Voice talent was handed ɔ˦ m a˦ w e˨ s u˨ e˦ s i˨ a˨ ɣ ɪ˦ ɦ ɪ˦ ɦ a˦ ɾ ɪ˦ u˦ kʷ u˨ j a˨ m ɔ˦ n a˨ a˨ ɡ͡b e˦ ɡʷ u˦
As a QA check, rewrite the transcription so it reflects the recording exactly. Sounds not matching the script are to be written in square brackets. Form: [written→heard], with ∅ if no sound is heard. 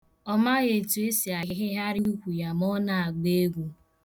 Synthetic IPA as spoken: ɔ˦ m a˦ [w→ɣ] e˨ [s→t] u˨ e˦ s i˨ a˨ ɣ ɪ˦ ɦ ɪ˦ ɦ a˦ ɾ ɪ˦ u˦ kʷ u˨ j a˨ m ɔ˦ n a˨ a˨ ɡ͡b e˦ ɡʷ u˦